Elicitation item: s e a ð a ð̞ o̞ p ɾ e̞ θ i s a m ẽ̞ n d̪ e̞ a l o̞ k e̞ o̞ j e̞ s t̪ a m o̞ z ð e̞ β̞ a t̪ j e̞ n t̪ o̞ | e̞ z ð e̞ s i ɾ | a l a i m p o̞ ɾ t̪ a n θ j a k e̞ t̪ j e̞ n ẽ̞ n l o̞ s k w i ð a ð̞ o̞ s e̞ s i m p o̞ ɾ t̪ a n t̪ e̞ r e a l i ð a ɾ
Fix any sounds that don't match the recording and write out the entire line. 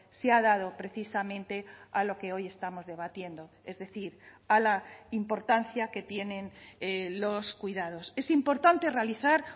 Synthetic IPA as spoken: s e a ð a ð̞ o̞ p ɾ e̞ θ i s a m ẽ̞ n t̪ e̞ a l o̞ k e̞ o̞ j e̞ s t̪ a m o̞ z ð e̞ β̞ a t̪ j e̞ n d̪ o̞ | e̞ z ð e̞ θ i ɾ | a l a i m p o̞ ɾ t̪ a n θ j a k e̞ t̪ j e̞ n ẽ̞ n l o̞ s k w i ð a ð̞ o̞ s e̞ s i m p o̞ ɾ t̪ a n t̪ e̞ r e a l i θ a ɾ